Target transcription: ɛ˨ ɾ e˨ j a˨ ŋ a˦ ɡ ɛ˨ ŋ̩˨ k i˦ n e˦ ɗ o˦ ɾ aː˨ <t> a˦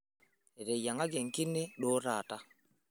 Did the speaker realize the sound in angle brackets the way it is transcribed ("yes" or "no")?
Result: yes